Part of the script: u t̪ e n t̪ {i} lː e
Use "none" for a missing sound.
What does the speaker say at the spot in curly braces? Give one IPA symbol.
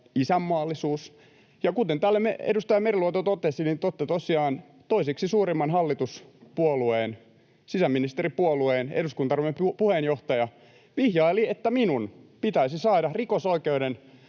æ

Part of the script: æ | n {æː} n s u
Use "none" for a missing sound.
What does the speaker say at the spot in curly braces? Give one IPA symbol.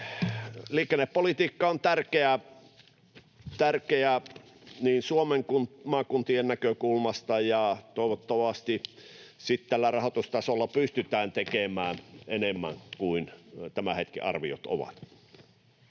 iː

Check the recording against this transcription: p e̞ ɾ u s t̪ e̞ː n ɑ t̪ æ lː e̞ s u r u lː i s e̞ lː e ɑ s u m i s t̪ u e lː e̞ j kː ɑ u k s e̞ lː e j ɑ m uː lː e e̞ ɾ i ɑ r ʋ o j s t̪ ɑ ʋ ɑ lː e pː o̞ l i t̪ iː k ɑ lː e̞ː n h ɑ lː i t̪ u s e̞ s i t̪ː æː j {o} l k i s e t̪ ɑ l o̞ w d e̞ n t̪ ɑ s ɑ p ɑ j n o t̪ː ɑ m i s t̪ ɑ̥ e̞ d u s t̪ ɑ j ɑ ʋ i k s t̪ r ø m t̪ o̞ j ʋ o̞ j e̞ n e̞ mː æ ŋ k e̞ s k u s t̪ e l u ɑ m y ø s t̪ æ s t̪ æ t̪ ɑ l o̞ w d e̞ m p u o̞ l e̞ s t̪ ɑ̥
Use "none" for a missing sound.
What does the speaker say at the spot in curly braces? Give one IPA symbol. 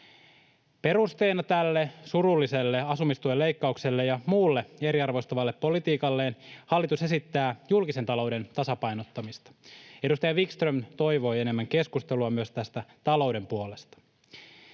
u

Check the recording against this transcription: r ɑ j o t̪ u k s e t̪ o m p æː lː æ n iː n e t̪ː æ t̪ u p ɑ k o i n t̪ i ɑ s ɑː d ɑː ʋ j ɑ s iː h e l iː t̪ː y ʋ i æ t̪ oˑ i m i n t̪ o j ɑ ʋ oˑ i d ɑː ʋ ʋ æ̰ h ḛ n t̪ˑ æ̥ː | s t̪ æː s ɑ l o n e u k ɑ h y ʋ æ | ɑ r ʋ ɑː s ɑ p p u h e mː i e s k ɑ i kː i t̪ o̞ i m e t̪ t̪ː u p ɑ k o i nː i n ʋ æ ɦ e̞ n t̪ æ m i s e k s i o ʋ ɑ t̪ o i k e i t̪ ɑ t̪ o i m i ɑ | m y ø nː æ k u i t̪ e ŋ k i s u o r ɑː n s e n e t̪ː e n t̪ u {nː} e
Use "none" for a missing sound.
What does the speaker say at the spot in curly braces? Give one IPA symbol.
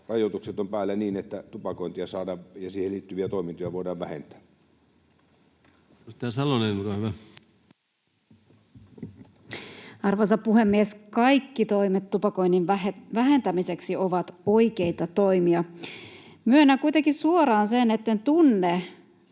nː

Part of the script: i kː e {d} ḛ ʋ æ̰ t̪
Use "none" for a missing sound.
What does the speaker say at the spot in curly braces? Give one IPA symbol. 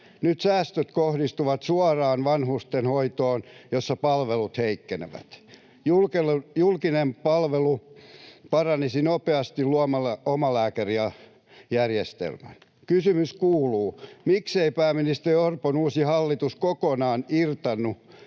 n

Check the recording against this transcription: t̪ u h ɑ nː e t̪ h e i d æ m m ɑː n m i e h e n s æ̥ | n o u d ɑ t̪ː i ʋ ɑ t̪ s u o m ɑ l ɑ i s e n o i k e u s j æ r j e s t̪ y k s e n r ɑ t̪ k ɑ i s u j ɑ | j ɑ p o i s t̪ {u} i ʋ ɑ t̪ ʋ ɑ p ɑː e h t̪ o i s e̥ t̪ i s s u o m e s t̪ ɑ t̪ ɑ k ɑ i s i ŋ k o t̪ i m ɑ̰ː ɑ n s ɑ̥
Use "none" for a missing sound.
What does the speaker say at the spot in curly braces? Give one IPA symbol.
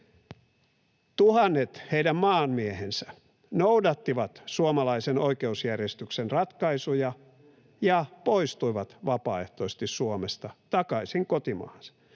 u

